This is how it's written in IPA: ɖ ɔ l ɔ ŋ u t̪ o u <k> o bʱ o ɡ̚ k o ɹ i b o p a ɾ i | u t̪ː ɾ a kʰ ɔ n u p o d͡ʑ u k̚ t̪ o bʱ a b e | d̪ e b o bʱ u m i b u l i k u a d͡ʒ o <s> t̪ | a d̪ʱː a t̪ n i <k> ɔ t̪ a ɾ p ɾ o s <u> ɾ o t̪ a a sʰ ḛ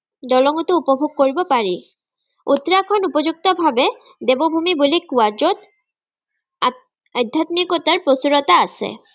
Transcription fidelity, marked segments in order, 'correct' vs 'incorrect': incorrect, incorrect, correct, correct

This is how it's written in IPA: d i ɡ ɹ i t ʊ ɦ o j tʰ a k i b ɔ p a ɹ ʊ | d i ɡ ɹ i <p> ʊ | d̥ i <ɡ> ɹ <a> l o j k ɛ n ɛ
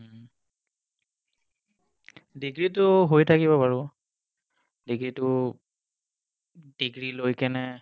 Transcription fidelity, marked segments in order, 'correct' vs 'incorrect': incorrect, correct, incorrect

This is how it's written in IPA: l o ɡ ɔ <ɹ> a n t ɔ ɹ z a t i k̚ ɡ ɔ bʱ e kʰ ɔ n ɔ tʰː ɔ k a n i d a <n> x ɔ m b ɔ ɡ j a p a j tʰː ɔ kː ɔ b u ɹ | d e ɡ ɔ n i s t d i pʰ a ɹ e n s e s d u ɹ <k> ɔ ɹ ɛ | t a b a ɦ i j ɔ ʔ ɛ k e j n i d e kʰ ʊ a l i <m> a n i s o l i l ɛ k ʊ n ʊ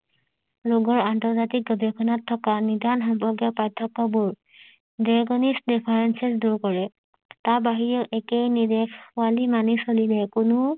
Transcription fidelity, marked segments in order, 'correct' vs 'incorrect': correct, correct, correct, correct

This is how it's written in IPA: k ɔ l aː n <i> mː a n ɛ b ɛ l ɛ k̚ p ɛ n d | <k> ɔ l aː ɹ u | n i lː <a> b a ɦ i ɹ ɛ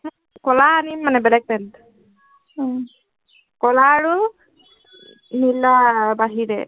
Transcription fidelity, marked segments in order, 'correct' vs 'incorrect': correct, correct, correct

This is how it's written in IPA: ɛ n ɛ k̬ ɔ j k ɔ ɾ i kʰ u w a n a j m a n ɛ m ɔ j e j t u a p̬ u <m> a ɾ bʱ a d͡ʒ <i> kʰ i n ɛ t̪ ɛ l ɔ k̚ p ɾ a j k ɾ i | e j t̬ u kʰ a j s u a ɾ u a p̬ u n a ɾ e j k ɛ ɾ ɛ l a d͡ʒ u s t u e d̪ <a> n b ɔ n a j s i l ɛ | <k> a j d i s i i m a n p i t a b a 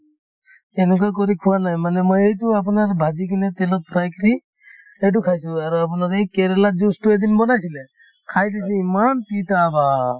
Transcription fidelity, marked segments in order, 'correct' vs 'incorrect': incorrect, correct, incorrect, incorrect

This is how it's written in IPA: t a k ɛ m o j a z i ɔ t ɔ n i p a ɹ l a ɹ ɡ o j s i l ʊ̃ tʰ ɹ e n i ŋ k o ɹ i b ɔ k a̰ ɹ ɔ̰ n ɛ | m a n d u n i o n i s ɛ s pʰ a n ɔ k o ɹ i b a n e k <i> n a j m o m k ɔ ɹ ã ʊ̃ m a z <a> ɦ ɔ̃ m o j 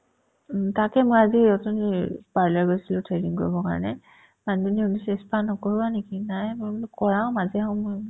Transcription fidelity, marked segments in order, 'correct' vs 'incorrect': correct, incorrect

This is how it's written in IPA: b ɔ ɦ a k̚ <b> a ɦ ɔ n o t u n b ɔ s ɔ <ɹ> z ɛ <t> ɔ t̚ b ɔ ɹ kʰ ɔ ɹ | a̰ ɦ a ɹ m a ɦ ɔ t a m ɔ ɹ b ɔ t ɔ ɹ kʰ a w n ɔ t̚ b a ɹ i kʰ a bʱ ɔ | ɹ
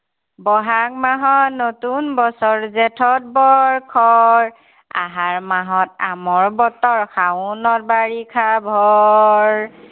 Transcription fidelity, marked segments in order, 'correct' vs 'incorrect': incorrect, correct, incorrect

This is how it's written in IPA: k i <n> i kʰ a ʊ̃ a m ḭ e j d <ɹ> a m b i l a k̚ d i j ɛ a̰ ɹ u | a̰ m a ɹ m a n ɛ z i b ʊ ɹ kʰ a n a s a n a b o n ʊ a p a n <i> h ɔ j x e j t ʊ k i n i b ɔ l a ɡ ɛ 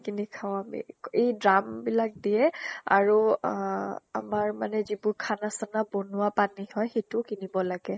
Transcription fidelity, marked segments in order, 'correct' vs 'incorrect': correct, correct, correct

